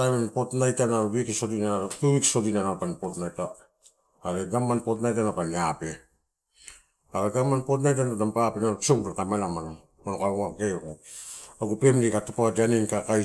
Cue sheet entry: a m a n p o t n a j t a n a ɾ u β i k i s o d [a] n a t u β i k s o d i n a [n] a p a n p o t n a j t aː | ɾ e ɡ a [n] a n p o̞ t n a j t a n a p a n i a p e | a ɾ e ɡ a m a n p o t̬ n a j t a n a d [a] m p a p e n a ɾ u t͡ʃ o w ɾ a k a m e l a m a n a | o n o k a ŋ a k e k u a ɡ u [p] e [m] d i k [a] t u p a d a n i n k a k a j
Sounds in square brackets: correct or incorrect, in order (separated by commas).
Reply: incorrect, correct, incorrect, correct, correct, correct, correct